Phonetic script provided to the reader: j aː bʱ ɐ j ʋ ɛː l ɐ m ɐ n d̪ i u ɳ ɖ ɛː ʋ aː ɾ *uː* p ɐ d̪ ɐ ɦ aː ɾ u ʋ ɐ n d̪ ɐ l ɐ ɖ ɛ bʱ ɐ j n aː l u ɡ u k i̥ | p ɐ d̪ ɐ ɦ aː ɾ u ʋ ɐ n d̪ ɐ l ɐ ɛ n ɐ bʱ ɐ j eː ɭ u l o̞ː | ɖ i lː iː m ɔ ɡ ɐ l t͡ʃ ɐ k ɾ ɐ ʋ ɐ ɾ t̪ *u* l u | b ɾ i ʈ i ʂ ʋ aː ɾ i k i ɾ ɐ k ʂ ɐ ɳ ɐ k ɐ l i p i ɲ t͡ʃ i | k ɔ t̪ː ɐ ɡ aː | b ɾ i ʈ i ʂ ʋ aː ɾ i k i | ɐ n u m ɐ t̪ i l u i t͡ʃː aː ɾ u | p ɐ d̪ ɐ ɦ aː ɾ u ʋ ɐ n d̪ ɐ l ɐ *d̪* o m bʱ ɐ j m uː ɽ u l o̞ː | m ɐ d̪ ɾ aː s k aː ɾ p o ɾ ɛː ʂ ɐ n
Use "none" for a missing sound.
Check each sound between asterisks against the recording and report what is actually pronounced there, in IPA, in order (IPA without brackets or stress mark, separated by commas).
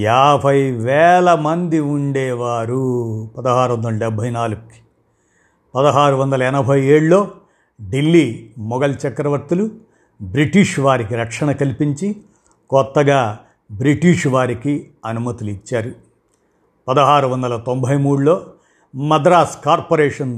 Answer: u, u, t̪